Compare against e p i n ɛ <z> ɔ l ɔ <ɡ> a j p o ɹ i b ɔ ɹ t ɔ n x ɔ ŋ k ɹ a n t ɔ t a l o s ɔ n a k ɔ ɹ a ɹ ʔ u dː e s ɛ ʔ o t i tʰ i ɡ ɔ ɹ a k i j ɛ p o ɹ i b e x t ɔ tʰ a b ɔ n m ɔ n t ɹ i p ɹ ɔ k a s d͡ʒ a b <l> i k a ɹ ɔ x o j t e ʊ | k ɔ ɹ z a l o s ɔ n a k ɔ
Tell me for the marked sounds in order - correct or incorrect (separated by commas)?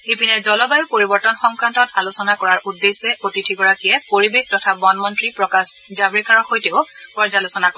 correct, incorrect, incorrect